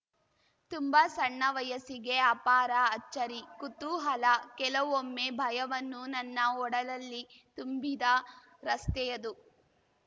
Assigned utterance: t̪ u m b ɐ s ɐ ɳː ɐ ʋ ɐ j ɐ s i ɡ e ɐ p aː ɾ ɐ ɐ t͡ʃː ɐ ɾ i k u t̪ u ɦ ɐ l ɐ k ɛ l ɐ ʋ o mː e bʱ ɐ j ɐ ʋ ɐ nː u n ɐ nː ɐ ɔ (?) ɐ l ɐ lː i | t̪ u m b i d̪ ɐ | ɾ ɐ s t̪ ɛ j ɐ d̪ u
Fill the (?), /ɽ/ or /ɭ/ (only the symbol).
ɽ